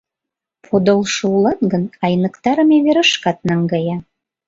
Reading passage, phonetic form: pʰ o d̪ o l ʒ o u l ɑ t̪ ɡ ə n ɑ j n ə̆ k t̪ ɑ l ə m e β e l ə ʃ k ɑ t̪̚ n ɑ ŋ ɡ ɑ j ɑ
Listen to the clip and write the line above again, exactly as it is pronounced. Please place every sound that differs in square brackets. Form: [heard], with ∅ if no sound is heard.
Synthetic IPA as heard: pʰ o d̪ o l [ʃ] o u l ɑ t̪ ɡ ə n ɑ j n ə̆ k t̪ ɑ [ɾ] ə m e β e [ɾ] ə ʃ k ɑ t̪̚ n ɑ ŋ ɡ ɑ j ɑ